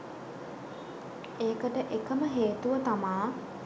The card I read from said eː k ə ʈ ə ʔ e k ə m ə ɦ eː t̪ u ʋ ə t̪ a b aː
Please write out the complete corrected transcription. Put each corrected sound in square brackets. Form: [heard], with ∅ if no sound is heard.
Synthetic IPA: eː k ə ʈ ə ʔ e k ə m ə ɦ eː t̪ u ʋ ə t̪ a [m] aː